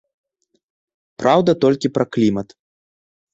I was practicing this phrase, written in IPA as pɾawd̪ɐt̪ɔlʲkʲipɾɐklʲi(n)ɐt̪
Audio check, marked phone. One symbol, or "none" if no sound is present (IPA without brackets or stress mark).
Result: m